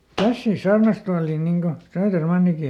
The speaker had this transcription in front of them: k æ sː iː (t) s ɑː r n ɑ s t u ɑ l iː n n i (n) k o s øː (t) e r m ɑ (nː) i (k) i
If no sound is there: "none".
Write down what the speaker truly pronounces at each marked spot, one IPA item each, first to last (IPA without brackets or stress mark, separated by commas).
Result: s, ŋ, t, nː, k